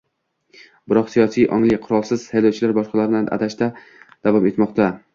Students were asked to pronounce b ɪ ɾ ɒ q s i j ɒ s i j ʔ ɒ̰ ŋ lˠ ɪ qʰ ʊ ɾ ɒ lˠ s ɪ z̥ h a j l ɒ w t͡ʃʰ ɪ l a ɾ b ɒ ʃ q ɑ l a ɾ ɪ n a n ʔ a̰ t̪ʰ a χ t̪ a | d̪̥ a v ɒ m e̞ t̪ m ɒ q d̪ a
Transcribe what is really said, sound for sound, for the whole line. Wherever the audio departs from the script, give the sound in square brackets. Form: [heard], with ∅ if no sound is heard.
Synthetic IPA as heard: b ɪ ɾ ɒ q s i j ɒ s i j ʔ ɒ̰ ŋ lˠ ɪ qʰ ʊ ɾ ɒ lˠ s ɪ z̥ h a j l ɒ w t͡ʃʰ ɪ l a ɾ b ɒ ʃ q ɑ l a ɾ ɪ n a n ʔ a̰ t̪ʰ a [ʃ] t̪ a | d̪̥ a v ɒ m e̞ t̪ m ɒ q [t̪] a

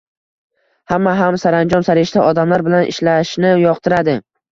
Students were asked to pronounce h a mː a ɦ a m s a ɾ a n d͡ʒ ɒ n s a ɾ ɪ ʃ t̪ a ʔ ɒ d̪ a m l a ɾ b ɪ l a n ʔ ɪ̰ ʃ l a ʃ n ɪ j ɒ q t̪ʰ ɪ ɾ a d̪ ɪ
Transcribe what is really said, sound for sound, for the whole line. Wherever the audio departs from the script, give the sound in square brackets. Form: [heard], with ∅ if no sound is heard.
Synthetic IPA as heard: h a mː a ɦ a m s a ɾ a n d͡ʒ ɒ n s a ɾ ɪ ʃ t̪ a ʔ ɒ d̪ a m l a ɾ b ɪ l a n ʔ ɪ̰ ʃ l a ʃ n ɪ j ɒ q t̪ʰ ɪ ɾ a d̪ ɪ

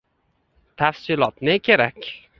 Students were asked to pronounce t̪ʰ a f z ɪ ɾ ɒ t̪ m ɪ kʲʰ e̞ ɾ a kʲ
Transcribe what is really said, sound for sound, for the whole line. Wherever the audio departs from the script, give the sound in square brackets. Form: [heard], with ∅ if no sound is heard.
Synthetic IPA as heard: t̪ʰ a f [s] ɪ [l] ɒ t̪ [n] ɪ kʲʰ e̞ ɾ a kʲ

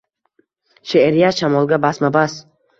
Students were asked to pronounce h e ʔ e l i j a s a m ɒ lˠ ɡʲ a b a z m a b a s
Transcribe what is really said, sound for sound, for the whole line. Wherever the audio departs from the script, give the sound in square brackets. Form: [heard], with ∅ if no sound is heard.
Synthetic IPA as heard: [ʃ] e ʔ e [ɾ] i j a [ʃ] a m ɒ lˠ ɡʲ a b a [s] m a b a s

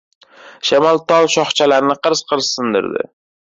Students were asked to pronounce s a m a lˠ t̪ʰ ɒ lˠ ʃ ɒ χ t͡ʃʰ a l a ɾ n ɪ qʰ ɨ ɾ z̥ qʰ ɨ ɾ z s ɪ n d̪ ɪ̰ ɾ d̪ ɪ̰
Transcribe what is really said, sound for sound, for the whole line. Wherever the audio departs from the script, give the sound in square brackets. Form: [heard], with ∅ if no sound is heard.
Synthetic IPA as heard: [ʃ] a m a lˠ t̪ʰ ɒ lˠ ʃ ɒ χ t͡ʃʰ a l a ɾ n ɪ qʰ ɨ ɾ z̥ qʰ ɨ ɾ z s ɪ n d̪ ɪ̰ ɾ d̪ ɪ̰

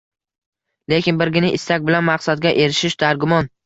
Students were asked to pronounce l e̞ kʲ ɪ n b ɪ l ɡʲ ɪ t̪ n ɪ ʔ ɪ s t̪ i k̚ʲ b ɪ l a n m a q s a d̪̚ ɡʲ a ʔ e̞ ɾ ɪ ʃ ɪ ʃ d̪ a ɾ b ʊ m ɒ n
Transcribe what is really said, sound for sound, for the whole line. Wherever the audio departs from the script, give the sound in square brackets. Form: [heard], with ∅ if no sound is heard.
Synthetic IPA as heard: l e̞ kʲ ɪ n b ɪ [ɾ] ɡʲ ɪ [∅] n ɪ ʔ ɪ s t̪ [a] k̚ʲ b ɪ l a n m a q s a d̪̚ ɡʲ a ʔ e̞ ɾ ɪ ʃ ɪ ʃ d̪ a ɾ [ɡ] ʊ m ɒ n

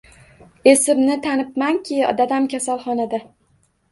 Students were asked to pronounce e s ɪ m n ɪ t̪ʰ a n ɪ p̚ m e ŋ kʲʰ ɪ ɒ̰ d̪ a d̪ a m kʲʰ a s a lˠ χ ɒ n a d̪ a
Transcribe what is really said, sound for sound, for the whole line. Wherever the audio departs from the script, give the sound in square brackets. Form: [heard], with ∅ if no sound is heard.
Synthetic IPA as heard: e s ɪ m n ɪ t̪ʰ a n ɪ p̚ m [a] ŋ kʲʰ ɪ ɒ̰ d̪ a d̪ a m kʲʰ a s a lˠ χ ɒ n a d̪ a

